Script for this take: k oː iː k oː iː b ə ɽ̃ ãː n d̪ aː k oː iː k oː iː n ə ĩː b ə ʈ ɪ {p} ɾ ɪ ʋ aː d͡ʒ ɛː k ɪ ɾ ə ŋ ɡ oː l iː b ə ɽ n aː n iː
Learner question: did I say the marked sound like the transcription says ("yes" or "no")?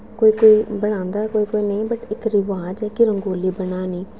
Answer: no